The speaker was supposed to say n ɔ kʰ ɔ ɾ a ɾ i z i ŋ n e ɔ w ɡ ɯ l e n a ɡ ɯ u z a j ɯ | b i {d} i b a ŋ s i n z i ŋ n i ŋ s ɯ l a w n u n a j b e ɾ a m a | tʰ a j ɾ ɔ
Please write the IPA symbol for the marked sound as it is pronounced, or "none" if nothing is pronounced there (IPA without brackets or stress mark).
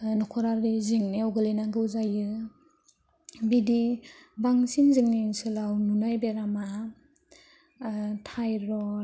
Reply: d